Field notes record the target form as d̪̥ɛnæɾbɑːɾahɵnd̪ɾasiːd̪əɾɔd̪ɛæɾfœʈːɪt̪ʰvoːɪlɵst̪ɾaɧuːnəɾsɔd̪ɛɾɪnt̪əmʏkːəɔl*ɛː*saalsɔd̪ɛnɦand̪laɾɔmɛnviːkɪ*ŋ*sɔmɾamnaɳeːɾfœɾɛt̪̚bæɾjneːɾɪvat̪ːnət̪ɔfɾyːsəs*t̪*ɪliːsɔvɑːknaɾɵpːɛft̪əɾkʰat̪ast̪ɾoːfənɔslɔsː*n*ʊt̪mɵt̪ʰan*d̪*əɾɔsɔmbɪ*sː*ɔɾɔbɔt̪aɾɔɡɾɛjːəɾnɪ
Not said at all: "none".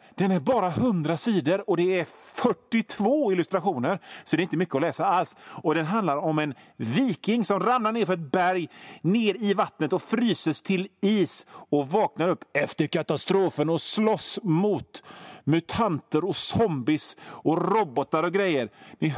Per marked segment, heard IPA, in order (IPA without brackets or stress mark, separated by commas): ɛː, ŋ, t̪ʰ, m, t̪, s